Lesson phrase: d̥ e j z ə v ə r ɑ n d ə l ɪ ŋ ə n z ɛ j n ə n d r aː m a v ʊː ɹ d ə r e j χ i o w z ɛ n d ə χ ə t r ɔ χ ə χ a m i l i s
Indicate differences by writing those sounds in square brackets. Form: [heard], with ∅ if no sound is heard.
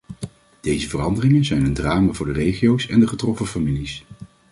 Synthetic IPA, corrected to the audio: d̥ e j z ə v ə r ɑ n d ə [r] ɪ ŋ ə n z ɛ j n ə n d r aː m a v ʊː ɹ d ə r e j χ i o w [s] ɛ n d ə χ ə t r ɔ [f] ə [f] a m i l i s